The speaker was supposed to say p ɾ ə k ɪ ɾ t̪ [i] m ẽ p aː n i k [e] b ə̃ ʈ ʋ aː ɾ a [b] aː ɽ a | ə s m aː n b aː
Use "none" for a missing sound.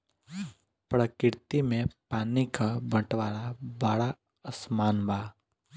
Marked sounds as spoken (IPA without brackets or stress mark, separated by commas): i, a, b